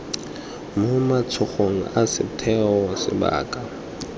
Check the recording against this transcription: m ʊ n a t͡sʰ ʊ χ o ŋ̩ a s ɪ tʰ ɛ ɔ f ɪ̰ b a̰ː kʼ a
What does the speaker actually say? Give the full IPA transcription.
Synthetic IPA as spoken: m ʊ m a t͡sʰ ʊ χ o ŋ̩ a s ɪ tʰ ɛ ɔ s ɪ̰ b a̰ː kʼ a